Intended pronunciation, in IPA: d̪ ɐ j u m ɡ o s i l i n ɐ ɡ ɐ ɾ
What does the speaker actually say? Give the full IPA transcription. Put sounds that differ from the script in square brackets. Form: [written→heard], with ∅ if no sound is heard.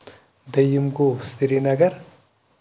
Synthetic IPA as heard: d̪ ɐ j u m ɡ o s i [l→ɾ] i n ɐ ɡ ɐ ɾ